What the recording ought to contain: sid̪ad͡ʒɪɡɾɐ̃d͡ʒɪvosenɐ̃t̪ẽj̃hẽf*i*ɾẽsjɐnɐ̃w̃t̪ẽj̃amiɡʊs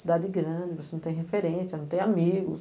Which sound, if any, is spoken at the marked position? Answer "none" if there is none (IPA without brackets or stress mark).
e